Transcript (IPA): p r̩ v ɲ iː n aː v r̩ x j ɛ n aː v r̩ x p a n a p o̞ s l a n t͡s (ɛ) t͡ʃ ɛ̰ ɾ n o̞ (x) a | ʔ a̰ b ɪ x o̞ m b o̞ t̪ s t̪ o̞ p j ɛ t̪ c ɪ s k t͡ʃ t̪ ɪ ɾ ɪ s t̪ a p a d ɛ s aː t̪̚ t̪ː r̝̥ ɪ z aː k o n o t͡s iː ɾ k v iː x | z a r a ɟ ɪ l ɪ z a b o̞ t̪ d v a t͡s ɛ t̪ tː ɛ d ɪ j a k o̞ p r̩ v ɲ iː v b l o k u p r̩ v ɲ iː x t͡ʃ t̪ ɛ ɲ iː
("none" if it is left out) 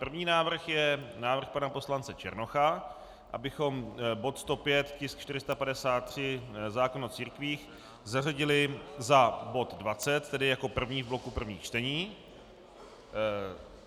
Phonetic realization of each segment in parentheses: ɛ, x

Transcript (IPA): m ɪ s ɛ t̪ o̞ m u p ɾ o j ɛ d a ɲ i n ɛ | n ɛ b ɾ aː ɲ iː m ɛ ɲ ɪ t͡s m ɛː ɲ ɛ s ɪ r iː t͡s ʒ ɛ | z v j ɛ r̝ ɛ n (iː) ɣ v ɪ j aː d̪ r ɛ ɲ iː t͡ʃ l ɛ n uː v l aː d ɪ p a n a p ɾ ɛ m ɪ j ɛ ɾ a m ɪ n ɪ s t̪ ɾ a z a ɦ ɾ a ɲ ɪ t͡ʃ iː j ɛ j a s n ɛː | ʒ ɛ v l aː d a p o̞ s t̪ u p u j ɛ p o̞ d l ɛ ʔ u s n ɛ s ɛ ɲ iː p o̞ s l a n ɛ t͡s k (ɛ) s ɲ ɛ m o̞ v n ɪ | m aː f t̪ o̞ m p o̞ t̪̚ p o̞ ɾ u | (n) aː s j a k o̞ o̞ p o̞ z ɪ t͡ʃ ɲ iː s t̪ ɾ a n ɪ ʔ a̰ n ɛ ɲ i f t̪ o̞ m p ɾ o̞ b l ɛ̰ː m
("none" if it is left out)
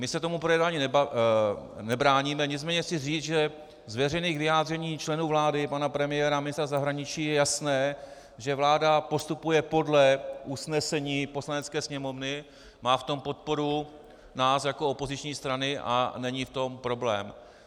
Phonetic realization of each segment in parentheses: iː, ɛː, n

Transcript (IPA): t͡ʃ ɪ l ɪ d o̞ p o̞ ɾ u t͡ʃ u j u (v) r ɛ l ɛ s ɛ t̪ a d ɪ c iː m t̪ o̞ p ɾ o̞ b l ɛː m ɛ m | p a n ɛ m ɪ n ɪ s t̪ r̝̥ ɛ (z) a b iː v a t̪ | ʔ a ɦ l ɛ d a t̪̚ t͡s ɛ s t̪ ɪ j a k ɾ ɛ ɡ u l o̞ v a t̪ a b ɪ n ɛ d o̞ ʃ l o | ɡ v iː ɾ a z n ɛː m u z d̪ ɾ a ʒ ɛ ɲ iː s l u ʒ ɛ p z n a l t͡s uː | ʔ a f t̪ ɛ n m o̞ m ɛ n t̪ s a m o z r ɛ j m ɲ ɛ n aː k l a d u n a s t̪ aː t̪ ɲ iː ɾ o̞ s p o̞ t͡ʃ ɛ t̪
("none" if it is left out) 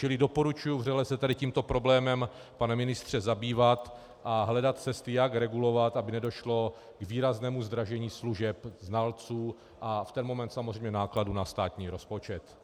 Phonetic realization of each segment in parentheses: v, z

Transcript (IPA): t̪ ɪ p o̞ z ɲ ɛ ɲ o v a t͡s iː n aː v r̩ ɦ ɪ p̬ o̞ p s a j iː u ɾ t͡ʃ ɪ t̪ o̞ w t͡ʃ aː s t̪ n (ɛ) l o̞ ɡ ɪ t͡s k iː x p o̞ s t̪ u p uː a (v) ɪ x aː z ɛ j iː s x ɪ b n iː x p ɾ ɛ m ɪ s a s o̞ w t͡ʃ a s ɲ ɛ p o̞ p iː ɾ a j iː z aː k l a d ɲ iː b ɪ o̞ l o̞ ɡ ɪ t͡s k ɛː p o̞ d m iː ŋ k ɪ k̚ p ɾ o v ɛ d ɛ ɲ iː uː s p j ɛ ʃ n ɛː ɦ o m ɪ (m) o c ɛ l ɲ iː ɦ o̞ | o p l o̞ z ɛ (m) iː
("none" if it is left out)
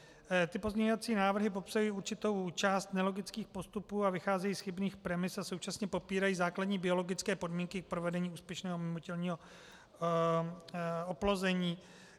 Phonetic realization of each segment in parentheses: ɛ, v, m, ɲ

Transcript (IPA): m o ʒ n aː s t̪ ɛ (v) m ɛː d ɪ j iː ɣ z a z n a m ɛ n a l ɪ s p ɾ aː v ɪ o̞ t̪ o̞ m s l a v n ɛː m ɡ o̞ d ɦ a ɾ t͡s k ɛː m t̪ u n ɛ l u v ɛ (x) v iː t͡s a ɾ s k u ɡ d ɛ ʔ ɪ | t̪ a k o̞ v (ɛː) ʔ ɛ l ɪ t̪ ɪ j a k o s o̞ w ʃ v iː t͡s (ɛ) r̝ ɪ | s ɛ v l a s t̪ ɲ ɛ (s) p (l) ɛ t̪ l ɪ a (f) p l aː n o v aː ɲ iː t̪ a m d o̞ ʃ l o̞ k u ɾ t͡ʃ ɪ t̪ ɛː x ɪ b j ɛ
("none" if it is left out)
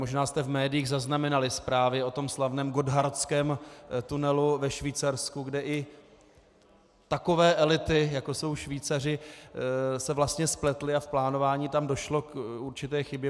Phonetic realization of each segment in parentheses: v, ʃ, ɛː, a, s, l, f

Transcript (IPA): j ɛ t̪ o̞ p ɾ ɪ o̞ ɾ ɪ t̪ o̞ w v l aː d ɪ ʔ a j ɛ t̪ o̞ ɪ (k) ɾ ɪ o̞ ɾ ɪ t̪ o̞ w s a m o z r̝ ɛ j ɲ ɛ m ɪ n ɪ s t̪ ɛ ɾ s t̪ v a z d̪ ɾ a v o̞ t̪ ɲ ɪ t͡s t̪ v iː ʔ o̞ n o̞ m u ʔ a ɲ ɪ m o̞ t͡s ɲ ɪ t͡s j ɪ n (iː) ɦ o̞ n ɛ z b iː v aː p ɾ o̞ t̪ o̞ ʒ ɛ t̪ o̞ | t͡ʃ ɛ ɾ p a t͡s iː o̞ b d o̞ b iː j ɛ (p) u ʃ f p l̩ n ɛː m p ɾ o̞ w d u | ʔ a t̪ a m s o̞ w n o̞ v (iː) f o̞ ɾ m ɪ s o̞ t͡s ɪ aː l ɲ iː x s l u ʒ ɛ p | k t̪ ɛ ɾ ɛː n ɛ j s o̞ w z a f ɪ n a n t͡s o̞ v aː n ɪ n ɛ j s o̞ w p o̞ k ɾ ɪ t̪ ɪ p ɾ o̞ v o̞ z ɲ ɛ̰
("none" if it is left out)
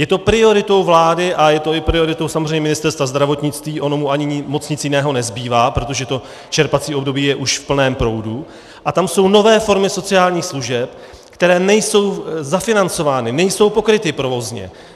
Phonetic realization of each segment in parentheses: p, ɛː, ʔ, ɛː

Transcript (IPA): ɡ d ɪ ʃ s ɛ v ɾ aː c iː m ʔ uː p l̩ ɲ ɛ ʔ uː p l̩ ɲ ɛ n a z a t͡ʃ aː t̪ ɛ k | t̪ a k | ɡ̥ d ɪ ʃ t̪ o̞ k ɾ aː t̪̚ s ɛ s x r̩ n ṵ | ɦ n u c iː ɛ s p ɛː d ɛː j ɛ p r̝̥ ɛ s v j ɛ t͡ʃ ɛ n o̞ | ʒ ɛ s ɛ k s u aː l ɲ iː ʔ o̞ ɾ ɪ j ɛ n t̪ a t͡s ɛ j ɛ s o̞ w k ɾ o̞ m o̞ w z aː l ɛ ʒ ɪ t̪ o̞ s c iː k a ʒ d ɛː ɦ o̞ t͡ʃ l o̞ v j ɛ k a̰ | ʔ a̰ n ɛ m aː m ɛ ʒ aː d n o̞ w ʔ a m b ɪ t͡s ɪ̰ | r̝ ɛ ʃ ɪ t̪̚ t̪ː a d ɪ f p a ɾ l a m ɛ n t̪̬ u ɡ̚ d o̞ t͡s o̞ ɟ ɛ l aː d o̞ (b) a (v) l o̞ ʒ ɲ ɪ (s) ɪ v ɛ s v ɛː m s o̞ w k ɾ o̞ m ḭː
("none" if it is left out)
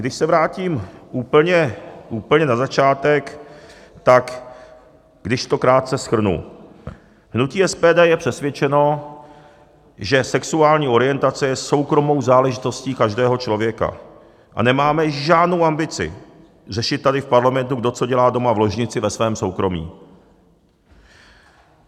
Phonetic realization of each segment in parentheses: m, v, t͡s

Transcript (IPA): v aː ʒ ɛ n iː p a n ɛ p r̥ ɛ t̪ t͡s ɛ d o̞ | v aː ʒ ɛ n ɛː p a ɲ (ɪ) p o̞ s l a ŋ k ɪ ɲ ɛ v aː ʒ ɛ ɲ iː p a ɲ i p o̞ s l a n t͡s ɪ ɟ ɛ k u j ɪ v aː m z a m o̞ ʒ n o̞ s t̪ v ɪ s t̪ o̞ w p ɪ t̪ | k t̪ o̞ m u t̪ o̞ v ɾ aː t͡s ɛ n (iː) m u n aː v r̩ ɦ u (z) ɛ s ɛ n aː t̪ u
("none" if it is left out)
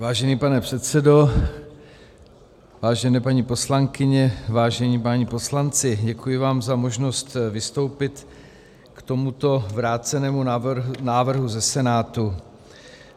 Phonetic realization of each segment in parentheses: i, ɛː, z

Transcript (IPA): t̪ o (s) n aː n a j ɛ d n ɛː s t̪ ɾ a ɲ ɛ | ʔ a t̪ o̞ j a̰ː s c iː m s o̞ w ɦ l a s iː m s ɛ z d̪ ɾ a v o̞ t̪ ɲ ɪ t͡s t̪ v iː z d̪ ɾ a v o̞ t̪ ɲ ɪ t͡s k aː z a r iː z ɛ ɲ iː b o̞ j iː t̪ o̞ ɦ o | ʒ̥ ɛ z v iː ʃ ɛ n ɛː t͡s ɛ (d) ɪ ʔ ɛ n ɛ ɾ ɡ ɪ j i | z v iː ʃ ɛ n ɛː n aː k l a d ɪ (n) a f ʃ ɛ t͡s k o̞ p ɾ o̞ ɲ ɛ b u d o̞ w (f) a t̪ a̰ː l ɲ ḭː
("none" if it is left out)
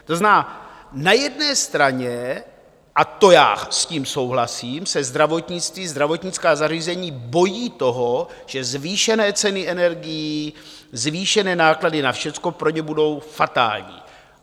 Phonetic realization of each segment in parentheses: z, n, n, f

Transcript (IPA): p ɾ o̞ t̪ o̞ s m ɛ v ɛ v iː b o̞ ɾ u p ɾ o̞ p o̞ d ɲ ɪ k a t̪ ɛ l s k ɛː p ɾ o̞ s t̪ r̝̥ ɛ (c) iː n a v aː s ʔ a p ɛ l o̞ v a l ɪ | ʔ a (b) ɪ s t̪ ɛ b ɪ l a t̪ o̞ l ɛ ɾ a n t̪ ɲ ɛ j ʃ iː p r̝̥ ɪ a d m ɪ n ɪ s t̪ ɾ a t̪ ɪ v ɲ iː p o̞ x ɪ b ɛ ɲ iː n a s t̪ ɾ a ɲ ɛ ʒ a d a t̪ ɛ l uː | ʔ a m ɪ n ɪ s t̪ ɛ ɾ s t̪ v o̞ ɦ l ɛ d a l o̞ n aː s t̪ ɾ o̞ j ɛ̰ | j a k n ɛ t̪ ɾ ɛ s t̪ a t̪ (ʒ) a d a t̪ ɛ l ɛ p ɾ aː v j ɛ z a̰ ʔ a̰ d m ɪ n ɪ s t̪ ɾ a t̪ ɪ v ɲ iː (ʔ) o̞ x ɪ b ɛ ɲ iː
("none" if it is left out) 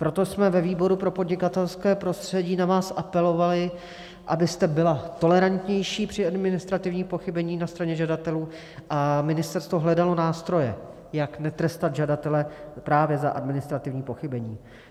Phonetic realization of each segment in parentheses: ɟ, b, ʒ, p

